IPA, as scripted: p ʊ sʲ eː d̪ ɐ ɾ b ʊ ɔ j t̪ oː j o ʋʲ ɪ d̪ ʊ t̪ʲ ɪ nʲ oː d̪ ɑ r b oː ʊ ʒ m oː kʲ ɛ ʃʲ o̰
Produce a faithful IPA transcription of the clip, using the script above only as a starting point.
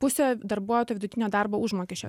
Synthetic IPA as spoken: p ʊ sʲ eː d̪ ɐ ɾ b u ɔ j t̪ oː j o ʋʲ ɪ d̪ ʊ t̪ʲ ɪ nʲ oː d̪ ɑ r b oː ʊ ʒ m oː kʲ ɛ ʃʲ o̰